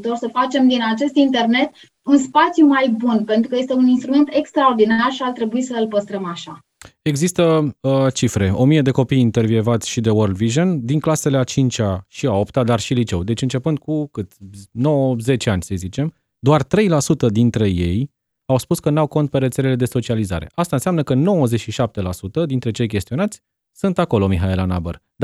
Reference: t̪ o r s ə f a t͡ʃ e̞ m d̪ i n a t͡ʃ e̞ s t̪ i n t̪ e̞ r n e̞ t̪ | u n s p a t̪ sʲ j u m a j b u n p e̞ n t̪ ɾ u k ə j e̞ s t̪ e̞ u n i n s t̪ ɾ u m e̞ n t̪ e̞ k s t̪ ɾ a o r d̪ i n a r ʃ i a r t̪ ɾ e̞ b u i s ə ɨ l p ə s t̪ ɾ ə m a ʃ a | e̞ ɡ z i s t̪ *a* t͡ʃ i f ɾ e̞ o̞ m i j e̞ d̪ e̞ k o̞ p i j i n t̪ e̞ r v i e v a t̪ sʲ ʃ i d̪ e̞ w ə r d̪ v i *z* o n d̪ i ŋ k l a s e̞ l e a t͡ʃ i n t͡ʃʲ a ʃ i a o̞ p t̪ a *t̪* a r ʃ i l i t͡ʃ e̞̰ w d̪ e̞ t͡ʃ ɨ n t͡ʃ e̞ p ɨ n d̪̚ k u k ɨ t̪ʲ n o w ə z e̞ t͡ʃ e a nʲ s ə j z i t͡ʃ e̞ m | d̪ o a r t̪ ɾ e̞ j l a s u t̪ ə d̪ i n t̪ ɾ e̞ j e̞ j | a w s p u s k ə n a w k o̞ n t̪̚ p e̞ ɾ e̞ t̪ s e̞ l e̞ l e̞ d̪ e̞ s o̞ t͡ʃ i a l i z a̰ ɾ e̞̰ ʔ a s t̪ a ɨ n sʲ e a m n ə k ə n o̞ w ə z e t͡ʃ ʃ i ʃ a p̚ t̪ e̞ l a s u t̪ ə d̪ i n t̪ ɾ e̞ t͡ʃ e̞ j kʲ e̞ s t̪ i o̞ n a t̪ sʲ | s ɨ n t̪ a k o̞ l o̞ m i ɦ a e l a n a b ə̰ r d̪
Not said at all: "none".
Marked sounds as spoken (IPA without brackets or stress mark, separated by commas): ə, ʒ, d̪